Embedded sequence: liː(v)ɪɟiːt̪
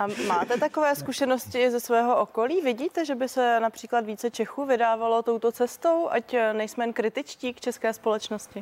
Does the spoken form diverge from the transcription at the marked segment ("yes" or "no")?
no